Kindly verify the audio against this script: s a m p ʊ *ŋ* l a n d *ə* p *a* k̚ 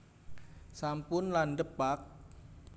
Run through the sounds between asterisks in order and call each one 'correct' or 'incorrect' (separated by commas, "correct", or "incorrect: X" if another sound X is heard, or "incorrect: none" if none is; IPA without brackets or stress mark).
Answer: incorrect: n, correct, correct